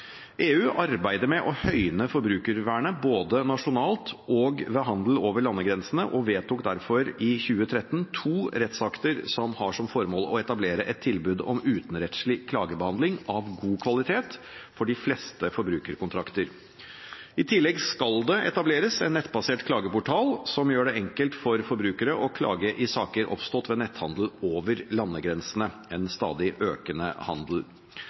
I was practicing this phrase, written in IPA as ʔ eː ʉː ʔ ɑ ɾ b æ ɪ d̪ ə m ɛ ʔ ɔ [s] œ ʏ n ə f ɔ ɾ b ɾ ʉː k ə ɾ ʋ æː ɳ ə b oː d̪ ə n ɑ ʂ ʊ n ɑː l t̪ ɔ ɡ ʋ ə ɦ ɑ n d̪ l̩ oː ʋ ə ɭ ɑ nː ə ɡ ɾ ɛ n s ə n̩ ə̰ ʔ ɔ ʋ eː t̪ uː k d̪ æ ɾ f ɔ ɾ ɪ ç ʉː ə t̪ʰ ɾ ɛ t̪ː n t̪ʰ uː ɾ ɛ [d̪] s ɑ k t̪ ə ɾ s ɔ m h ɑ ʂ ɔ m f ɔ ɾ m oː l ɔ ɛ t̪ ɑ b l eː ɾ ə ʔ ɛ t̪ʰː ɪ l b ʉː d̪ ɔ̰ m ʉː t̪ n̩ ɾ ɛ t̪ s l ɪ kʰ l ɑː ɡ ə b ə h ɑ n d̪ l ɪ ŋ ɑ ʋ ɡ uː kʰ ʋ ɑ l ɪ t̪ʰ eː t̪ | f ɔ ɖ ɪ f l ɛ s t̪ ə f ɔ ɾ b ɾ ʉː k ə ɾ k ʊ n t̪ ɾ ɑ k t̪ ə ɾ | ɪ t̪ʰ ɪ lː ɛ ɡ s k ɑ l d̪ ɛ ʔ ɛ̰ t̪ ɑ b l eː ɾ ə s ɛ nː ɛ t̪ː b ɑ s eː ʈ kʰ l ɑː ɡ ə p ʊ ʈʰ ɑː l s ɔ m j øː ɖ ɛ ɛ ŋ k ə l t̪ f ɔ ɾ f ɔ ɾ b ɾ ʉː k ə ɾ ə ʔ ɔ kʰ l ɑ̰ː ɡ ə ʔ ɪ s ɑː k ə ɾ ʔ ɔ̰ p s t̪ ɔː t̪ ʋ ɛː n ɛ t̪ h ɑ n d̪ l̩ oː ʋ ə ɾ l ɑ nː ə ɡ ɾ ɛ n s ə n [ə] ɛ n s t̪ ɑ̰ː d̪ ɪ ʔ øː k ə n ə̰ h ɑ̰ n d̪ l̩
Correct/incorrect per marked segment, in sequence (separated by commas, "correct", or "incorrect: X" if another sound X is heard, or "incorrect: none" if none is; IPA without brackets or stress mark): incorrect: h, incorrect: t̪, correct